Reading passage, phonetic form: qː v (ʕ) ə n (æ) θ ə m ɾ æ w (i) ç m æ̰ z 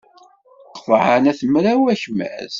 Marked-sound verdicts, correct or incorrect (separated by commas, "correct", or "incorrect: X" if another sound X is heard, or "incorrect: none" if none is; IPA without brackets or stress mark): correct, correct, incorrect: æ